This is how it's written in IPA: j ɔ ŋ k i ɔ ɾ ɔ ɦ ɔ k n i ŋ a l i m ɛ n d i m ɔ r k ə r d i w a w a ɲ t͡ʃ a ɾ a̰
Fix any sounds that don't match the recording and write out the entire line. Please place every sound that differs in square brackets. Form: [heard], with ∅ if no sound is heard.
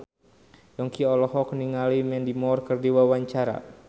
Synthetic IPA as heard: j ɔ ŋ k i ɔ [l] ɔ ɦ ɔ k n i ŋ a l i m ɛ n d i m ɔ r k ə r d i w a w a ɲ t͡ʃ a ɾ a̰

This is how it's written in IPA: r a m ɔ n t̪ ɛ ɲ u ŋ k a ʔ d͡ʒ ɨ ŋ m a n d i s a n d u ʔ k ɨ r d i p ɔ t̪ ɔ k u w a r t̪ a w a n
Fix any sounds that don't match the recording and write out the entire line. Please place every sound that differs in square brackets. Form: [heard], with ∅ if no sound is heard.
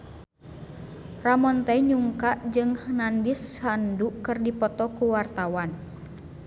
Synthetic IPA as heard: r a m ɔ n t̪ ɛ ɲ u ŋ k a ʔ d͡ʒ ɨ ŋ [n] a n d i s a n d u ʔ k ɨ r d i p ɔ t̪ ɔ k u w a r t̪ a w a n

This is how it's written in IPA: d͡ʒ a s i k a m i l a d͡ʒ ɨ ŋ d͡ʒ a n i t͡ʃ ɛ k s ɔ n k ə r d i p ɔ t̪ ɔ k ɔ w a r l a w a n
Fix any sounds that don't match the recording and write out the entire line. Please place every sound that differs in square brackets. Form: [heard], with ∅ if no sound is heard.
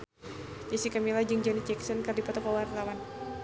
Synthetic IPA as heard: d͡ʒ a s i k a m i l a d͡ʒ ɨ ŋ d͡ʒ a n i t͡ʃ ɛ k s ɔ n k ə r d i p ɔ t̪ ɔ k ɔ w a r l a w a n

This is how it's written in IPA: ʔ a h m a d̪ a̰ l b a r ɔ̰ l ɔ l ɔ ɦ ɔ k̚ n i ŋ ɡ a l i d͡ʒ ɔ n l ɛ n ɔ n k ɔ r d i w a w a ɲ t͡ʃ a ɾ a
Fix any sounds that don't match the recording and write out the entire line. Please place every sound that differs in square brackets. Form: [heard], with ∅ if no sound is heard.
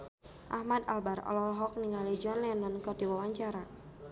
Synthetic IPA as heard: ʔ a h m a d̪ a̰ l b a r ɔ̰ l ɔ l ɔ ɦ ɔ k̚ n i ŋ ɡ a l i d͡ʒ ɔ n l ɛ n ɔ n k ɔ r d i w a w a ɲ t͡ʃ a ɾ a

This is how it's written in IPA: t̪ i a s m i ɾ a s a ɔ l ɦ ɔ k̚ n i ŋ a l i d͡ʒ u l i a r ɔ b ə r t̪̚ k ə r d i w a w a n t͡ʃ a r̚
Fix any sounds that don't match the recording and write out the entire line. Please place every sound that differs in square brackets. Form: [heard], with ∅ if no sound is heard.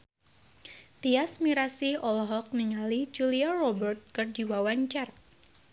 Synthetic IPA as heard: t̪ i a s m i ɾ a s [i] ɔ l ɦ ɔ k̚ n i ŋ a l i d͡ʒ u l i a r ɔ b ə r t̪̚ k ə r [d͡ʒ] i w a w a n t͡ʃ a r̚

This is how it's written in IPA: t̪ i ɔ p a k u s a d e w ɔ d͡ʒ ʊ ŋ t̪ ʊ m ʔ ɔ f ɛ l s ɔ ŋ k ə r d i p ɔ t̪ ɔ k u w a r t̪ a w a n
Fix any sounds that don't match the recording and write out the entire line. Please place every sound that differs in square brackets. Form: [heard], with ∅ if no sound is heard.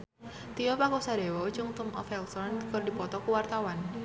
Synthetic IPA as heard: t̪ i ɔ p a k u s a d e w ɔ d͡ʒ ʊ ŋ t̪ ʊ m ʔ ɔ f ɛ l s ɔ [n] k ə r d i p ɔ t̪ ɔ k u w a r t̪ a w a n

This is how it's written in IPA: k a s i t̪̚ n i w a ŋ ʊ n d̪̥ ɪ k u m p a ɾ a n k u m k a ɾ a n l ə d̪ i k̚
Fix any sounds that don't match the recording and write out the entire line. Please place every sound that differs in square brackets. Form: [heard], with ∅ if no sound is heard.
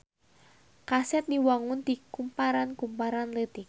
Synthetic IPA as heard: k a s [ɛ] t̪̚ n i w a ŋ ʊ n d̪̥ [i] k u m p a ɾ a n k u m [p] a ɾ a n l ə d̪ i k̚

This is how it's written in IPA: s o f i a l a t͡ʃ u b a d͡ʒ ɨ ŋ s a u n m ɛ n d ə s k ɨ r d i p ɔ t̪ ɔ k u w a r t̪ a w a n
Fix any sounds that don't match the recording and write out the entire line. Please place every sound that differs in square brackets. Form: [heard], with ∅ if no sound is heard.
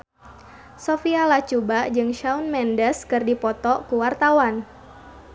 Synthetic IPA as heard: s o f i a l a t͡ʃ u b a d͡ʒ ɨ ŋ [ʃ] a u n m ɛ n d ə s k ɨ r d i p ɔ t̪ ɔ k u w a r t̪ a w a n

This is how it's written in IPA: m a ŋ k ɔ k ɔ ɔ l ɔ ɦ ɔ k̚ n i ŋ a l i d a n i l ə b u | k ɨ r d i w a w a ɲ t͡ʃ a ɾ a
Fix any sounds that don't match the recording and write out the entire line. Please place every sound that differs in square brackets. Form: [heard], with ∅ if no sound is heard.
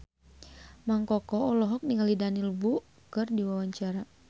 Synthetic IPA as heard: m a ŋ k ɔ k ɔ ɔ l ɔ ɦ ɔ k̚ n i ŋ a l i d a n i l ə b u | k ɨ r d i w a w a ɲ t͡ʃ a ɾ a

